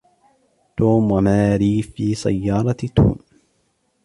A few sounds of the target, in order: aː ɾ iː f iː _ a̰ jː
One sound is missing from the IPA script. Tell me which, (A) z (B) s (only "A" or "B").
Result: B